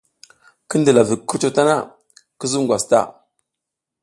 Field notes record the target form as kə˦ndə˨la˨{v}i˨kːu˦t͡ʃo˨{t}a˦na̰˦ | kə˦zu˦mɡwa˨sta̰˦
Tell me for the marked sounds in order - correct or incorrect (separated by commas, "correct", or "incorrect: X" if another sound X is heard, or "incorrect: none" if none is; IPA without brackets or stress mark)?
correct, correct